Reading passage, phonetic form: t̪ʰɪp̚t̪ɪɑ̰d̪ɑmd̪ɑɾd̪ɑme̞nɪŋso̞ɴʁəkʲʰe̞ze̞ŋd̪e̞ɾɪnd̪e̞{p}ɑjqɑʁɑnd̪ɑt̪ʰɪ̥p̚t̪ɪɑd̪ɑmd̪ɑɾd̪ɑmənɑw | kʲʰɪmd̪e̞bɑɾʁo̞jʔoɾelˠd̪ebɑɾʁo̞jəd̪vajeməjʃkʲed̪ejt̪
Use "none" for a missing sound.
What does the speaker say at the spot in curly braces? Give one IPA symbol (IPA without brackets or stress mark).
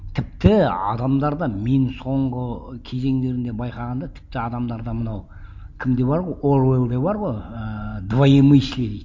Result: b